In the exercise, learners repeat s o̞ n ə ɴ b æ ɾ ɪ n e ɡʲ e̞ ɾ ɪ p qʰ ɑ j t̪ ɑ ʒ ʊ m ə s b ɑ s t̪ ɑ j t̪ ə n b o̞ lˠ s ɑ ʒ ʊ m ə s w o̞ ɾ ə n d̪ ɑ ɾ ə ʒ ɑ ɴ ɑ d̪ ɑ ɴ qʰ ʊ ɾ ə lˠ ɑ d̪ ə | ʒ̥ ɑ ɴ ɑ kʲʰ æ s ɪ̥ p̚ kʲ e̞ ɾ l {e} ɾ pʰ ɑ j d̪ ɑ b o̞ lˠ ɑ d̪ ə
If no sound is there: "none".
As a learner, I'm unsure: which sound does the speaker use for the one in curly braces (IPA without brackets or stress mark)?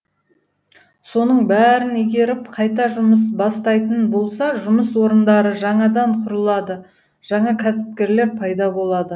e